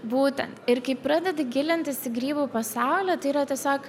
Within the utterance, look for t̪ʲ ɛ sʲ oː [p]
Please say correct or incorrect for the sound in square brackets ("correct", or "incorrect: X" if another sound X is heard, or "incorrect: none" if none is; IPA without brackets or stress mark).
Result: incorrect: k